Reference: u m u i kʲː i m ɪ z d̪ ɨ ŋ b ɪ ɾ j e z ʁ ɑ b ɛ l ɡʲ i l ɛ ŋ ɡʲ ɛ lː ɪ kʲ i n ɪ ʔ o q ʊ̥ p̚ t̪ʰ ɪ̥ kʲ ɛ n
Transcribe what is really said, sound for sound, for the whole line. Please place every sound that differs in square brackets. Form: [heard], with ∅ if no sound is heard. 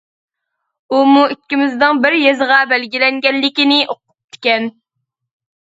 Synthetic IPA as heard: u m u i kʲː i m ɪ z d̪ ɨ ŋ b ɪ ɾ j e z ʁ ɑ b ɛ l ɡʲ i l ɛ ŋ ɡʲ ɛ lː ɪ kʲ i n ɪ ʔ o q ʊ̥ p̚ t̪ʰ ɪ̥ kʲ ɛ n